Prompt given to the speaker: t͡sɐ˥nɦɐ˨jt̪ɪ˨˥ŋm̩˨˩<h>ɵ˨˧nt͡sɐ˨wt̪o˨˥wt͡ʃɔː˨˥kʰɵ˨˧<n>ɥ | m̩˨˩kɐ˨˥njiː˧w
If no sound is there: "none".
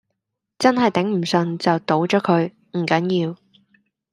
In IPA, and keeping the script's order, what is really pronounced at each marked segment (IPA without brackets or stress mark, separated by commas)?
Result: s, none